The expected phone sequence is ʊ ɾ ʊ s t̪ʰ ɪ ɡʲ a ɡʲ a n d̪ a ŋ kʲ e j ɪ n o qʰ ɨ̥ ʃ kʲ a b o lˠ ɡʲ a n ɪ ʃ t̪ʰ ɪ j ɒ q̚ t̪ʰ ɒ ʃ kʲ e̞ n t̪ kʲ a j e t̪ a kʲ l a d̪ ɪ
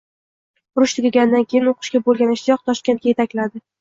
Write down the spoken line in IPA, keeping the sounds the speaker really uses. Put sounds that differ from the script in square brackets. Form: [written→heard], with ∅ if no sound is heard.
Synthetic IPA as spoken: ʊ ɾ ʊ [s→ʃ] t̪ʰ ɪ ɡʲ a ɡʲ a n d̪ a [ŋ→n] kʲ e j ɪ n o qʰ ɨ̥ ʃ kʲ a b o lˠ ɡʲ a n ɪ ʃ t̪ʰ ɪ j ɒ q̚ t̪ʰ ɒ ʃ kʲ e̞ n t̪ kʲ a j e t̪ a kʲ l a d̪ ɪ

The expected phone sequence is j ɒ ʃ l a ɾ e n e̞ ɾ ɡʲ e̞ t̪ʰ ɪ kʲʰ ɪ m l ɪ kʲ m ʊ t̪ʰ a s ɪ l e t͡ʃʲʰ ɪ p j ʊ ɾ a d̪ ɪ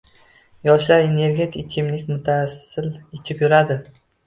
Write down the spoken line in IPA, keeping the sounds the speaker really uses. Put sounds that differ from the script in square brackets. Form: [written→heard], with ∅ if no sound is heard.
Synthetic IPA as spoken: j ɒ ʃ l a ɾ e n e̞ ɾ ɡʲ e̞ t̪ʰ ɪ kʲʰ ɪ m l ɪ kʲ m ʊ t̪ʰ a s ɪ l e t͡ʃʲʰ ɪ p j ʊ ɾ a d̪ ɪ

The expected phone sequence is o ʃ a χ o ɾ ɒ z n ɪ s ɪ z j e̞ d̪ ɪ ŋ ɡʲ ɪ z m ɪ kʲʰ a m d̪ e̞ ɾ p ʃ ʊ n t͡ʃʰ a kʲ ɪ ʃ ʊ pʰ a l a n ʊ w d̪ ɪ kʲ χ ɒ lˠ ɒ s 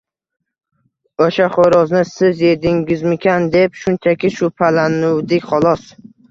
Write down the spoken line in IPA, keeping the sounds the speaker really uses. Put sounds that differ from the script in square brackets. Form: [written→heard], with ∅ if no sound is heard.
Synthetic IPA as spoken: o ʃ a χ o ɾ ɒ z n ɪ s ɪ z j e̞ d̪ ɪ ŋ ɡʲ ɪ z m ɪ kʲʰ a [m→n] d̪ e̞ [ɾ→∅] p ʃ ʊ n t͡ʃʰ a kʲ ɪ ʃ ʊ pʰ a l a n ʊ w d̪ ɪ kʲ χ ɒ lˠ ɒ s

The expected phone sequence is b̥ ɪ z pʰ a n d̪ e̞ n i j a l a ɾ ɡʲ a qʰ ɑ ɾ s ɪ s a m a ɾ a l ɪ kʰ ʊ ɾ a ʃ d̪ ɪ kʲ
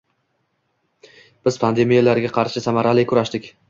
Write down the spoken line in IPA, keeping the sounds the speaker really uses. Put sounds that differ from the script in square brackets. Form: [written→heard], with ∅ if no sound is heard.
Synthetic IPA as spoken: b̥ ɪ z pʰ a n d̪ e̞ [n→m] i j a l a ɾ ɡʲ a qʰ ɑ ɾ [s→ʃ] ɪ s a m a ɾ a l ɪ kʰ ʊ ɾ a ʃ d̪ ɪ kʲ

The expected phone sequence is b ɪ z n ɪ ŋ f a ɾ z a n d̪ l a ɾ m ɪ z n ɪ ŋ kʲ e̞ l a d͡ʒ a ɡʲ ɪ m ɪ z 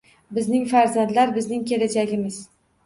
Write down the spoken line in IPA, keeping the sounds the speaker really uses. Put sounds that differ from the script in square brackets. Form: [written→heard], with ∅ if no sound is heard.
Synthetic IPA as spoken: b ɪ z n ɪ ŋ f a ɾ z a n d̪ l a ɾ [m→b] ɪ z n ɪ ŋ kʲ e̞ l a d͡ʒ a ɡʲ ɪ m ɪ z

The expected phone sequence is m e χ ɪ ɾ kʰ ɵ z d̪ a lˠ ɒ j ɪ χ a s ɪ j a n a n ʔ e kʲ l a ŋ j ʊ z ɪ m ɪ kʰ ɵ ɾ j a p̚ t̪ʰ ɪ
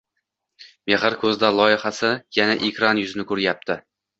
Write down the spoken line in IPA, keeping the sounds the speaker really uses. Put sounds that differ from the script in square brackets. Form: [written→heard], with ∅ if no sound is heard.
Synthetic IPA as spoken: m e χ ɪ ɾ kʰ ɵ z d̪ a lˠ ɒ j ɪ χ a s ɪ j a n a [n→∅] ʔ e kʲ [l→ɾ] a [ŋ→n] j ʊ z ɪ [m→n] ɪ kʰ ɵ ɾ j a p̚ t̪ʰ ɪ

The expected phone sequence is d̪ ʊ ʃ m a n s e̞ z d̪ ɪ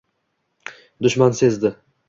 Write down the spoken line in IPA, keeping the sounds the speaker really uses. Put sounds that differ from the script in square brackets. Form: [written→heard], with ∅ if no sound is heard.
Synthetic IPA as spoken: d̪ ʊ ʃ m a n s e̞ z d̪ ɪ

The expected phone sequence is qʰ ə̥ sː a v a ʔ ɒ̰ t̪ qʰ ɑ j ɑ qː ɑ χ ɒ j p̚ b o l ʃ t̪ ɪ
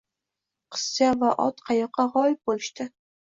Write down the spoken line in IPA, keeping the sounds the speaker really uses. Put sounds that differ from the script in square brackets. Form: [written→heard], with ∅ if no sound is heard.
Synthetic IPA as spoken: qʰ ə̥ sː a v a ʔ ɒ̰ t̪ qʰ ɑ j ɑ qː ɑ [χ→ʁ] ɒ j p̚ b o l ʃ t̪ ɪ

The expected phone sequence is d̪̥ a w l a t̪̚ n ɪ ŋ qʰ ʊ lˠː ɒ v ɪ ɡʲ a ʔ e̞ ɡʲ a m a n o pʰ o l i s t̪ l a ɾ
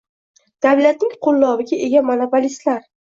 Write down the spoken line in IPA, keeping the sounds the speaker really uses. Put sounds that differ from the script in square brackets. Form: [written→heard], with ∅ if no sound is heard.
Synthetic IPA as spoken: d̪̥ a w l a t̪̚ n ɪ ŋ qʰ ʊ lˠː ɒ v ɪ ɡʲ a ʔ e̞ ɡʲ a m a n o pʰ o l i s t̪ l a ɾ

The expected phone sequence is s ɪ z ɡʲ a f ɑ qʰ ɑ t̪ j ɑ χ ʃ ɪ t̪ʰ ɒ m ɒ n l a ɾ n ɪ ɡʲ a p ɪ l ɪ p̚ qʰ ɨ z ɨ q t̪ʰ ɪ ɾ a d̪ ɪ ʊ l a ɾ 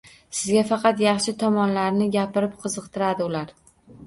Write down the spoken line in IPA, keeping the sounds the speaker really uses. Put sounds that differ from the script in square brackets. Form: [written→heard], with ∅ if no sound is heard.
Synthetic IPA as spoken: s ɪ z ɡʲ a f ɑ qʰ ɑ t̪ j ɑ χ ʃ ɪ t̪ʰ ɒ m ɒ n l a ɾ n ɪ ɡʲ a p ɪ [l→ɾ] ɪ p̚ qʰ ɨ z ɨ q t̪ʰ ɪ ɾ a d̪ ɪ ʊ l a ɾ

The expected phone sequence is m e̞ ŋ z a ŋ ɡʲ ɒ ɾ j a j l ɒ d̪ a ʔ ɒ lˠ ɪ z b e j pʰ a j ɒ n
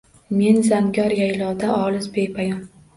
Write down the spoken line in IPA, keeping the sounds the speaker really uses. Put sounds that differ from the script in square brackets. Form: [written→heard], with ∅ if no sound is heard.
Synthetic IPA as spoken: m e̞ [ŋ→n] z a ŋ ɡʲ ɒ ɾ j a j l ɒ d̪ a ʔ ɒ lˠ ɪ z b e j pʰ a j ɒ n

